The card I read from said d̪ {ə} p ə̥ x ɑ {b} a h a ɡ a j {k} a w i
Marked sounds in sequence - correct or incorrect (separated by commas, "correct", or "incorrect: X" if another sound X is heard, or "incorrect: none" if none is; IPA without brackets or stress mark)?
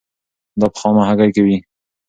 incorrect: ɑ, incorrect: m, correct